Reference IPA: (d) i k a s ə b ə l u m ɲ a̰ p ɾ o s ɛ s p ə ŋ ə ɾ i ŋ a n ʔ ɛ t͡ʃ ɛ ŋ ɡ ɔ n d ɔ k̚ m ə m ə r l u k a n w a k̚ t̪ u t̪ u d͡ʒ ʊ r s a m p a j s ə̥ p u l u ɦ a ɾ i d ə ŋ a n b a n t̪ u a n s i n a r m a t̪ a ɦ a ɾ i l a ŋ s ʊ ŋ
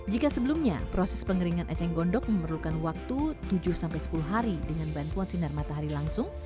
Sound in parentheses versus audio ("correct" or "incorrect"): incorrect